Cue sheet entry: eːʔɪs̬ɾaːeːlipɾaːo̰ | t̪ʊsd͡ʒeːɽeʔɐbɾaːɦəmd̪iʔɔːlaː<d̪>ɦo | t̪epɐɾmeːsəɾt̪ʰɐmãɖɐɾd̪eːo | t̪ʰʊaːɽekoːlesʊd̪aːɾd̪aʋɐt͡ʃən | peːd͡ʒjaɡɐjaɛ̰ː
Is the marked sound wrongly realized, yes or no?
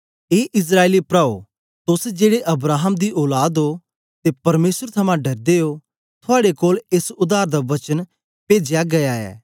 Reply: no